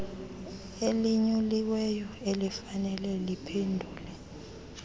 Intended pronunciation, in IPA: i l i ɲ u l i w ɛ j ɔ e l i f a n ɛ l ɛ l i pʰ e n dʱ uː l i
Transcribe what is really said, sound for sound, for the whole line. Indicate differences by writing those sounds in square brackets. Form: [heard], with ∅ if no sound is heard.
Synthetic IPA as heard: [e] l i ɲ u l i w ɛ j ɔ e l i f a n ɛ l ɛ l i pʰ e n dʱ uː l [ɛ]